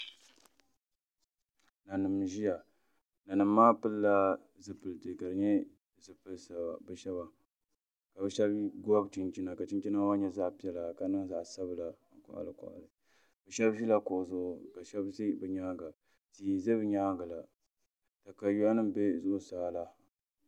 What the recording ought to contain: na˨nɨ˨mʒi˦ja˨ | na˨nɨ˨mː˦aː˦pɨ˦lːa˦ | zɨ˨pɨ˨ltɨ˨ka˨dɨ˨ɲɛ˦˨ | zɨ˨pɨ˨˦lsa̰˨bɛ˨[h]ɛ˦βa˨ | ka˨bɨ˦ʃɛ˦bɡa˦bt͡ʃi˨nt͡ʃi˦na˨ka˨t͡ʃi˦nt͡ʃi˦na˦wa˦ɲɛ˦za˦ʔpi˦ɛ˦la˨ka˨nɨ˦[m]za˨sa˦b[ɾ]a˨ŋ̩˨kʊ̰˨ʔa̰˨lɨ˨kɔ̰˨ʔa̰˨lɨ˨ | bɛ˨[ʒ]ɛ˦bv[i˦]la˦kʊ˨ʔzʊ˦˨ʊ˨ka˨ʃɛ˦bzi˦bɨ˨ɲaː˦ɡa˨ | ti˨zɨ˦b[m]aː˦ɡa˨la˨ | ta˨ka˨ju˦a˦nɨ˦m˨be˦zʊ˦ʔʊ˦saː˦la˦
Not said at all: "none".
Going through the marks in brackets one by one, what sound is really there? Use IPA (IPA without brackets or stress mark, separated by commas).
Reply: ʃ, ŋ, l, ʃ, i˦, ɲ